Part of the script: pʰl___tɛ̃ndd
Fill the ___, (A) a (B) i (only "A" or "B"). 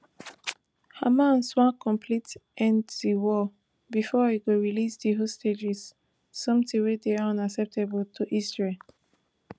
B